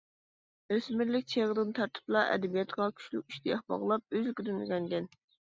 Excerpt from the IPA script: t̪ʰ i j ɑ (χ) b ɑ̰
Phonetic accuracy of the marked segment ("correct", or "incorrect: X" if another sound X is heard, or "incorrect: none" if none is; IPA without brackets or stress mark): correct